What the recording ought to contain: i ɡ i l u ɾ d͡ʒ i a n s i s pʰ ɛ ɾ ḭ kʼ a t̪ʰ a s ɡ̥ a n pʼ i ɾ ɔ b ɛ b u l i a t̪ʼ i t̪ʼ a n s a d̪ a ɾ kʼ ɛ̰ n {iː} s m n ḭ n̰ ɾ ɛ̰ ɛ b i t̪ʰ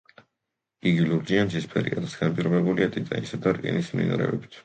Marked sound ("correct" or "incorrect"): incorrect